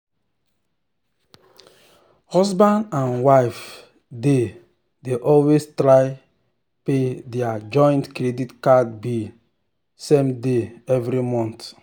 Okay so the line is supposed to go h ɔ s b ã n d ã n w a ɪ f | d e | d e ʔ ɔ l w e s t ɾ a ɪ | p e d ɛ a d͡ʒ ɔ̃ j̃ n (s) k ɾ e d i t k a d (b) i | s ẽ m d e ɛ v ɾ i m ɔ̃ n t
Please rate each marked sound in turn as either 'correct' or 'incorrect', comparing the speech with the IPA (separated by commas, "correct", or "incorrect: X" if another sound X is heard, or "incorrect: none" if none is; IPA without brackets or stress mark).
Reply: incorrect: t, correct